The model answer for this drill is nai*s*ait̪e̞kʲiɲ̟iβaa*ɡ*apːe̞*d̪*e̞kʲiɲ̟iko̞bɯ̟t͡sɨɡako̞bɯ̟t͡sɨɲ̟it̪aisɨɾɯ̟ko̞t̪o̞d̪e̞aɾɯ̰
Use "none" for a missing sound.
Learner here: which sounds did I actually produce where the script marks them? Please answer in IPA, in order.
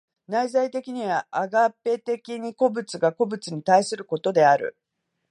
z, ɡ, t̪

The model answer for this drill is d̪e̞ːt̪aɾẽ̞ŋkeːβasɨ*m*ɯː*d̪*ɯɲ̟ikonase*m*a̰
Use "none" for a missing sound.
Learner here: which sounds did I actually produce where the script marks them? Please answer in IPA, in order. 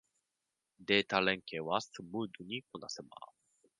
m, d̪, m

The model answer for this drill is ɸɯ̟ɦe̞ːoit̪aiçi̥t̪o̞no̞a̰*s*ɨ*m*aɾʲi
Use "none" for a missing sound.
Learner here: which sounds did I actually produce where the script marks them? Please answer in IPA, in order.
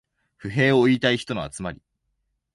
t͡s, m

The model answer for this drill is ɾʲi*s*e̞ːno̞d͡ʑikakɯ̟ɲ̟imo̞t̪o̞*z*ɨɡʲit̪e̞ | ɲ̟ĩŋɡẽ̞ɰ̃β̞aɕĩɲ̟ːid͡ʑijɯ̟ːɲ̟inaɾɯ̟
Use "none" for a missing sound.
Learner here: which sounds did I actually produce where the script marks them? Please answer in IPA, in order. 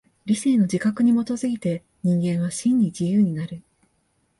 s, z

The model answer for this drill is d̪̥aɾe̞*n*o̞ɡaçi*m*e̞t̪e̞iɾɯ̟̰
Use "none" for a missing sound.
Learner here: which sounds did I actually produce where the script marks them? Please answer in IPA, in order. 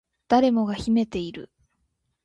m, m

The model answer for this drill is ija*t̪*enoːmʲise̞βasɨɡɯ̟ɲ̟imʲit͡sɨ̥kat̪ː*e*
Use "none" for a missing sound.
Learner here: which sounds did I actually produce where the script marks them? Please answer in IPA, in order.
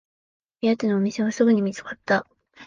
t̪, a

